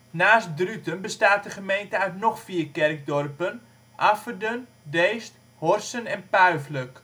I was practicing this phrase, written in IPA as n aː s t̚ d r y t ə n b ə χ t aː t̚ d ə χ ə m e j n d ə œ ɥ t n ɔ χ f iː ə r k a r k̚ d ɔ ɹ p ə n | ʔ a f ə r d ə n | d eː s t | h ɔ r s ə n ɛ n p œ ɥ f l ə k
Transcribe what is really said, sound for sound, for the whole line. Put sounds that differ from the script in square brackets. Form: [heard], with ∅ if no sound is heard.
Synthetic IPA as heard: n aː s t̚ d r y t ə n b ə [s] t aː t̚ d ə χ ə m e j n [t] ə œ ɥ t n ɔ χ f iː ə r k [ɛ] r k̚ d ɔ [r] p ə n | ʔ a f ə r d ə n | d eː s t | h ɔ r s ə n ɛ n p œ ɥ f l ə k